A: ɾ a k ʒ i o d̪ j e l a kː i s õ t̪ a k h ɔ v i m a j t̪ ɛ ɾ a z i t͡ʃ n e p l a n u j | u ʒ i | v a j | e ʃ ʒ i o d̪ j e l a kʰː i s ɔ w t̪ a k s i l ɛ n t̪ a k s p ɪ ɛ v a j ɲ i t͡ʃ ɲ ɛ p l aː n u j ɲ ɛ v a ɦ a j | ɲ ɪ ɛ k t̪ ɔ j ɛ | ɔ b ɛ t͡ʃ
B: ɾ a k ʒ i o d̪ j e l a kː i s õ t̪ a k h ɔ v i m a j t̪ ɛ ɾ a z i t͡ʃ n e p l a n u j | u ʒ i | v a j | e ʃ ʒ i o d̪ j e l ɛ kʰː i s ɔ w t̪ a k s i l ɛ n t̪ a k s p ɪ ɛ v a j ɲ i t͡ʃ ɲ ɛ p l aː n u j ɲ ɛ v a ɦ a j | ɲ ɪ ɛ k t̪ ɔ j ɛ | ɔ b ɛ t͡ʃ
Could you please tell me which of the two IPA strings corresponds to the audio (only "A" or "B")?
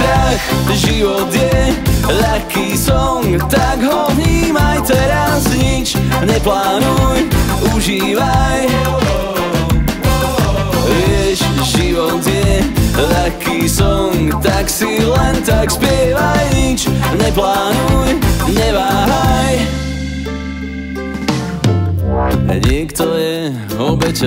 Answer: A